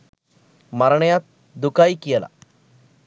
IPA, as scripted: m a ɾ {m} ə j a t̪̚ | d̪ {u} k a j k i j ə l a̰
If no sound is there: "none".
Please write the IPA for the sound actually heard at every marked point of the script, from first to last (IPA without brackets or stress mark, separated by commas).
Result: ɳ, u